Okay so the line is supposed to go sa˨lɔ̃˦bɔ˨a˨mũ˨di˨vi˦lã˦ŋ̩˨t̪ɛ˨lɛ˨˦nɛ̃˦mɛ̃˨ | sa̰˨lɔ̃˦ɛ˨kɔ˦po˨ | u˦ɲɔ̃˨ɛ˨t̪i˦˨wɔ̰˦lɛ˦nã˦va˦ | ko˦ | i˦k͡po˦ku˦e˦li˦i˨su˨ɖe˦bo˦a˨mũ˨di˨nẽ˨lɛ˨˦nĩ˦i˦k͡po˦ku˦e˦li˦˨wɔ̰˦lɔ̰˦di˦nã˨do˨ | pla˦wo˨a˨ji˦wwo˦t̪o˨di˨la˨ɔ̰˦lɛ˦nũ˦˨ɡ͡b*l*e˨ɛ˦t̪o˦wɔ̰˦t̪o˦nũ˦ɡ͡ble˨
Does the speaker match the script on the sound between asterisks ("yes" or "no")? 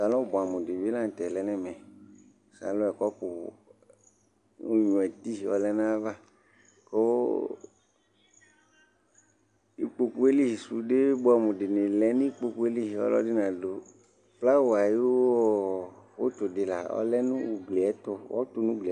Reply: yes